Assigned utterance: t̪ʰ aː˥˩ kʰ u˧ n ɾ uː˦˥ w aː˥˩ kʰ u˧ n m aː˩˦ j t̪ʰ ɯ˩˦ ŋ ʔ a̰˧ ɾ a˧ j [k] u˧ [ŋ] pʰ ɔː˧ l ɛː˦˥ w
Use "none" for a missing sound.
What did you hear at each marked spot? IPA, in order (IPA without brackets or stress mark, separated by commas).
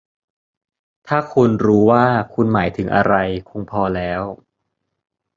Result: kʰ, ŋ